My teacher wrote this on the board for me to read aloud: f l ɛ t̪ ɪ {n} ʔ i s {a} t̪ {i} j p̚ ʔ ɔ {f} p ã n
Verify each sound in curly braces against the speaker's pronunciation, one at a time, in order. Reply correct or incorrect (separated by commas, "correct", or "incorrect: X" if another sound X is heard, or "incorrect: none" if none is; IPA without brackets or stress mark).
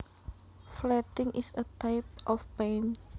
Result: incorrect: ŋ, incorrect: ə, incorrect: a, correct